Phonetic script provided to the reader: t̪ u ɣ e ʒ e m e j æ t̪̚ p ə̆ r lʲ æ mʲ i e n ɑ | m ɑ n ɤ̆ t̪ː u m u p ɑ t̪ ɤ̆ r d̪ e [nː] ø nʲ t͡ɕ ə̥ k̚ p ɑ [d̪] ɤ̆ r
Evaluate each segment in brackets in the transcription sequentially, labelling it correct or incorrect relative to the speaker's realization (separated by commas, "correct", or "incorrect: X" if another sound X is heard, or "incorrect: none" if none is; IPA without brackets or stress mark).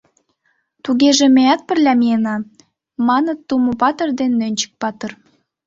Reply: correct, incorrect: t̪